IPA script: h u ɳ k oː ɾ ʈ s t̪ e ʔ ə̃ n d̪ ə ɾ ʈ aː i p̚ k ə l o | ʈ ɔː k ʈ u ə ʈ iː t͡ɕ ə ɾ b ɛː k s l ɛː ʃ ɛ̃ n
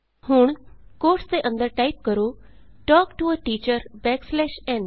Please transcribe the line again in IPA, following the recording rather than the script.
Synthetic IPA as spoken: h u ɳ k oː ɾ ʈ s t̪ e ʔ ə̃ n d̪ ə ɾ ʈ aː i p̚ k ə ɾ o | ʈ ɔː k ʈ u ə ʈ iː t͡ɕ ə ɾ b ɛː k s l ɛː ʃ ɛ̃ n